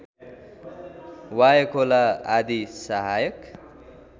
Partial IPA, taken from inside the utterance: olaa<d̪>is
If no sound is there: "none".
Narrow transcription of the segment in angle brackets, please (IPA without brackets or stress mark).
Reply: d̪